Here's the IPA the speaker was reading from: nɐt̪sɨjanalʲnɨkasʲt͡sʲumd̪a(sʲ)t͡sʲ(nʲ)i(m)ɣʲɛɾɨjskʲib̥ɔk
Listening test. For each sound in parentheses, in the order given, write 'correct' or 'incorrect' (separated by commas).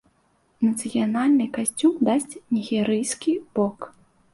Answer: correct, correct, incorrect